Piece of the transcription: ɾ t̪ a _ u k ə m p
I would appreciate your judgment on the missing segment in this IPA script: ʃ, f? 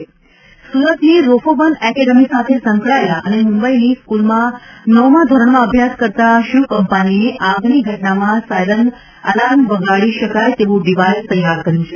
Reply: ʃ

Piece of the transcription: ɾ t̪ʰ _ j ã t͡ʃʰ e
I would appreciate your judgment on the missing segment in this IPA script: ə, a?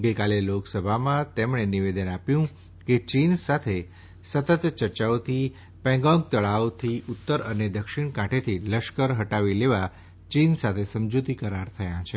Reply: ə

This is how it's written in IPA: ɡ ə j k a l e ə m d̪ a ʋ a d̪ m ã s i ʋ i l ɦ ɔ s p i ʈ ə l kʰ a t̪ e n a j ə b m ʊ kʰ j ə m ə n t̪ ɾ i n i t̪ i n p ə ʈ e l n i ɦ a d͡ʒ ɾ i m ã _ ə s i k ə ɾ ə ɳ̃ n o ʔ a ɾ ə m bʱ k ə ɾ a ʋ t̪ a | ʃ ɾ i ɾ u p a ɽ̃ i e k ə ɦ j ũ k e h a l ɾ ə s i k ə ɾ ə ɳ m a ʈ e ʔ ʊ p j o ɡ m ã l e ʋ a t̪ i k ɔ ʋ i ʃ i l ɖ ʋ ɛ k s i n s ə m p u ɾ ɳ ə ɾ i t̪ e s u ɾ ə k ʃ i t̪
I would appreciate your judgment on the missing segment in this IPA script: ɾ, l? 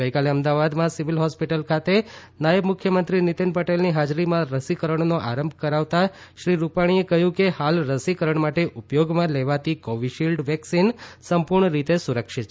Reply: ɾ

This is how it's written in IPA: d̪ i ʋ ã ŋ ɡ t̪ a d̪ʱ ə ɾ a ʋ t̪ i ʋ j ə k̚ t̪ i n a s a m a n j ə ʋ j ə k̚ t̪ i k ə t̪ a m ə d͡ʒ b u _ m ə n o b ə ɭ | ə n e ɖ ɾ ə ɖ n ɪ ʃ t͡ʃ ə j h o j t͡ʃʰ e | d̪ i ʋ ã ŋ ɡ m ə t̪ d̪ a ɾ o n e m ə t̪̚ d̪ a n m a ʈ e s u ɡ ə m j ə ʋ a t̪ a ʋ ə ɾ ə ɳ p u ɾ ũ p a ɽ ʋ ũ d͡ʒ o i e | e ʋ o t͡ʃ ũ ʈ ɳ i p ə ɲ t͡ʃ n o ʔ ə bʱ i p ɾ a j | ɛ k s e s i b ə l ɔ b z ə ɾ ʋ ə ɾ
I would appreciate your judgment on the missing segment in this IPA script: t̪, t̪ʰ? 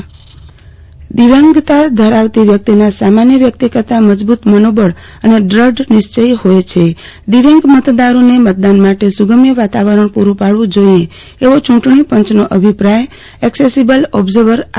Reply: t̪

